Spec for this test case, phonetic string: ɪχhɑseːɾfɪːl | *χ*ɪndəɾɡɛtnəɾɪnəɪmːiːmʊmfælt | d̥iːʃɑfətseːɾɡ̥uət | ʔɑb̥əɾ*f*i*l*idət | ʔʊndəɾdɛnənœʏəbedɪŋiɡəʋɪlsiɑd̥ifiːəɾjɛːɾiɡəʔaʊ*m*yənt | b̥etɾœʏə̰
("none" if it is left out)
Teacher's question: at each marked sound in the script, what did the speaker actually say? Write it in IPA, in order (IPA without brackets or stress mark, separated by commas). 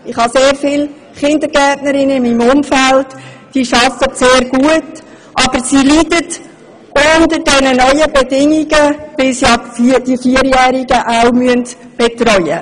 χ, s, l, m